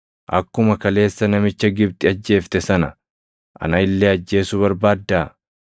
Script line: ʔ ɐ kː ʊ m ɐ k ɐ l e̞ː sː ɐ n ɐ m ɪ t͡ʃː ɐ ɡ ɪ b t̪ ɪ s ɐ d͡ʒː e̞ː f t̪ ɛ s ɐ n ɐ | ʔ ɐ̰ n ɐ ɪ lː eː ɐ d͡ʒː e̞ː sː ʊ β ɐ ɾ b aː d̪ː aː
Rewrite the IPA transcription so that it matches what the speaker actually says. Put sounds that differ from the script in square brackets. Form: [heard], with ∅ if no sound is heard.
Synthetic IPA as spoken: ʔ ɐ kː ʊ m ɐ k ɐ l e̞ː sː ɐ n ɐ m ɪ t͡ʃː ɐ ɡ ɪ b t̪ ɪ [∅] ɐ d͡ʒː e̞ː f t̪ ɛ s ɐ n ɐ | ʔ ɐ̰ n ɐ ɪ lː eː ɐ d͡ʒː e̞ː [s] ʊ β ɐ ɾ b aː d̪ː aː